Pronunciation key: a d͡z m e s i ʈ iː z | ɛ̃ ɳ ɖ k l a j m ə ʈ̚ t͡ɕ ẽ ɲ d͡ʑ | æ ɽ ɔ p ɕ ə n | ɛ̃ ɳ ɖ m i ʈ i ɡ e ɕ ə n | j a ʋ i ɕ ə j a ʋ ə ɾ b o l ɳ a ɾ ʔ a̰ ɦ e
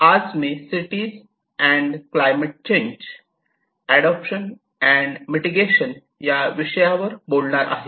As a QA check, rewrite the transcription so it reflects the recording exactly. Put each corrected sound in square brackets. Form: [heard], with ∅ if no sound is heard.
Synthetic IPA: a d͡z m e s i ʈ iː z | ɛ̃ ɳ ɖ k l a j m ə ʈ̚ t͡ɕ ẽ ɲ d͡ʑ | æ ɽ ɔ p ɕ ə n | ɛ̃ ɳ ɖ m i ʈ i ɡ e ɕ ə n | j a ʋ i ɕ ə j a ʋ ə ɾ b o l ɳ a ɾ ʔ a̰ ɦ e